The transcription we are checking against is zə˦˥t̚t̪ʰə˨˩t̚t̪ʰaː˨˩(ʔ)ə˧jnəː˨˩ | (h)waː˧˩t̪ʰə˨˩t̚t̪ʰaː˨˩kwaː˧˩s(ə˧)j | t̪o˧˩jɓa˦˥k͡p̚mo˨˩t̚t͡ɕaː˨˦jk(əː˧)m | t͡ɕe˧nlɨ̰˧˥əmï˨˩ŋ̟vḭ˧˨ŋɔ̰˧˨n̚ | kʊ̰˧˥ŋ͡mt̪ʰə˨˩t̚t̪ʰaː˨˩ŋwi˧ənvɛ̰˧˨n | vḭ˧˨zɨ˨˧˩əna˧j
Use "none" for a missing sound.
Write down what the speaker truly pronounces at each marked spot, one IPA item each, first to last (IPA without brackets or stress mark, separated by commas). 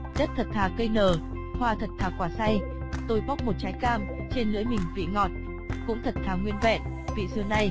k, h, a˧, aː˧